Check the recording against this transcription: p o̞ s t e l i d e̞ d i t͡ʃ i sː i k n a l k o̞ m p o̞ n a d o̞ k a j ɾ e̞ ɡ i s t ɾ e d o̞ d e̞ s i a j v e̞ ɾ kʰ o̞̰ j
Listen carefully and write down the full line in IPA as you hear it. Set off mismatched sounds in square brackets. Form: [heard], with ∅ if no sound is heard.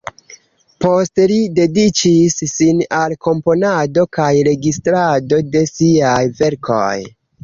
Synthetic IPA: p o̞ s t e l i d e̞ d i t͡ʃ i sː i [∅] n a l k o̞ m p o̞ n a d o̞ k a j ɾ e̞ ɡ i s t ɾ [a] d o̞ d e̞ s i a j v e̞ ɾ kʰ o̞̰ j